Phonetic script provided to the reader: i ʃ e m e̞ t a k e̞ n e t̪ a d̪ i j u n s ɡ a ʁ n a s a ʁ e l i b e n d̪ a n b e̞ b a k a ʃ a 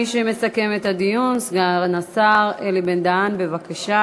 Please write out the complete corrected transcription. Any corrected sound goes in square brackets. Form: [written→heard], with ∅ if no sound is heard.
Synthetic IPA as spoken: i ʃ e m e̞ [t→s] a k e̞ [n→m] e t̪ a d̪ i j u n s ɡ a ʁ n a s a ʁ e l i b e n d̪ a n b e̞ [b→v] a k a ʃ a